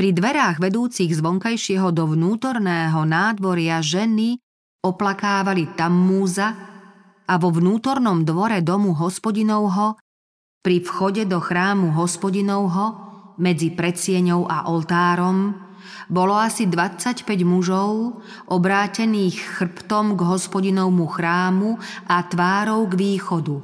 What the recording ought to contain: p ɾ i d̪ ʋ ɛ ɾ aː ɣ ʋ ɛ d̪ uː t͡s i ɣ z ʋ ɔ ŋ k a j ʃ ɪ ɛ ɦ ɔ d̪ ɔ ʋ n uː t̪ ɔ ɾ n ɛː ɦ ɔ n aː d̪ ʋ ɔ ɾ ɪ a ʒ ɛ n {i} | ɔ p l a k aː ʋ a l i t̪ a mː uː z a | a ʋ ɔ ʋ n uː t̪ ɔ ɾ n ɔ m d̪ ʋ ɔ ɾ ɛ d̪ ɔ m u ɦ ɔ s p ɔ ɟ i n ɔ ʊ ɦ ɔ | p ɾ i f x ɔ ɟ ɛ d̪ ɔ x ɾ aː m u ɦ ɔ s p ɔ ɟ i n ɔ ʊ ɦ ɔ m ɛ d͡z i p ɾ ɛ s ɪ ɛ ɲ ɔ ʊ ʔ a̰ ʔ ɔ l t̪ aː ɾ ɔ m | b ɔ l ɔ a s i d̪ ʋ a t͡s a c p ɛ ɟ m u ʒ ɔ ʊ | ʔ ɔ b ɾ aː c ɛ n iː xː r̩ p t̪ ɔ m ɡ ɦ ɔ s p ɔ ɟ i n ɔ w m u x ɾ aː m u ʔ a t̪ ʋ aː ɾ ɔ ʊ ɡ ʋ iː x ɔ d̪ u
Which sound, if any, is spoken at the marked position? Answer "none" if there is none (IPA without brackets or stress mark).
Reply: i